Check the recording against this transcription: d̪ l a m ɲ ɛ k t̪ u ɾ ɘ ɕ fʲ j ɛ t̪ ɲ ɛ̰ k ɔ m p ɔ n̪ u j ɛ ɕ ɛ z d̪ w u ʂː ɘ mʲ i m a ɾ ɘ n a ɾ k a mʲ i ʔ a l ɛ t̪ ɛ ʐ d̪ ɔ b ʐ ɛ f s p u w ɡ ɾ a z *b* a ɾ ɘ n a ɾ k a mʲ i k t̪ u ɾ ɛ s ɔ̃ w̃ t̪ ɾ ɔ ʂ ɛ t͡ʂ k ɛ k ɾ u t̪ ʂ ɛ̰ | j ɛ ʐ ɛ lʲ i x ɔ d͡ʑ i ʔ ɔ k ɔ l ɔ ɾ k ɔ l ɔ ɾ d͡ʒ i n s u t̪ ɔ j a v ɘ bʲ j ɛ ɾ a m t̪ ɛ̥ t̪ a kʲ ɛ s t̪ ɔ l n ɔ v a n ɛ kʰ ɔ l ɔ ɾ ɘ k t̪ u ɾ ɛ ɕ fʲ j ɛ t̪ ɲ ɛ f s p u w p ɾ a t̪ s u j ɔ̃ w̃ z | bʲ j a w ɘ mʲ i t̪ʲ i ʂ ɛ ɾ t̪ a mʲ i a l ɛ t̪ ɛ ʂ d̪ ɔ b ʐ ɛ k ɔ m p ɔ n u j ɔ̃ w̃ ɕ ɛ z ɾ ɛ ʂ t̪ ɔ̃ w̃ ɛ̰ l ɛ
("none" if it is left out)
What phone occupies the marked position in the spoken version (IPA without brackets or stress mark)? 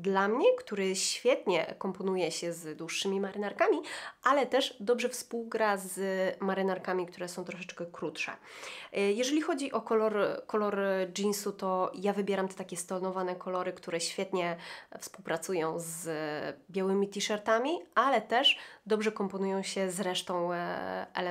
m